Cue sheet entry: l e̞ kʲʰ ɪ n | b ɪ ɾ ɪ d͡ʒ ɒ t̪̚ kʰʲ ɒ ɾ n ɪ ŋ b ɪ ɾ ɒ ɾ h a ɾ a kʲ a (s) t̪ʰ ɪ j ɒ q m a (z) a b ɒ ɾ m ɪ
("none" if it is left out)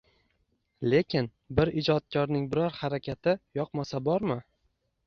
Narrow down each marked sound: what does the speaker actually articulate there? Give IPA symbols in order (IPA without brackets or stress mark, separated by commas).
none, s